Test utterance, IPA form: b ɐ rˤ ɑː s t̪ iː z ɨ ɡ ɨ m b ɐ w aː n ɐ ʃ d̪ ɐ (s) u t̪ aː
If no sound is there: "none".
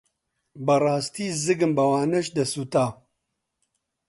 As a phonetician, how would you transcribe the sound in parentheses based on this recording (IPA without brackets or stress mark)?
s